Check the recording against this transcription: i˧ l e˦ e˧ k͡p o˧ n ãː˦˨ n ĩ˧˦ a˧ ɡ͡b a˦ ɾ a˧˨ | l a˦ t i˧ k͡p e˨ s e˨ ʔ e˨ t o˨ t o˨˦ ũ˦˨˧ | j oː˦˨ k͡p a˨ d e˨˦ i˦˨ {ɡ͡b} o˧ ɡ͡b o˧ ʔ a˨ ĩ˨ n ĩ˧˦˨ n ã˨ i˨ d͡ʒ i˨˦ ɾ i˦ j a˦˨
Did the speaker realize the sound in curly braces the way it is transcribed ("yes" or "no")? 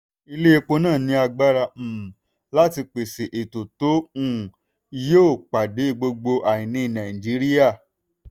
yes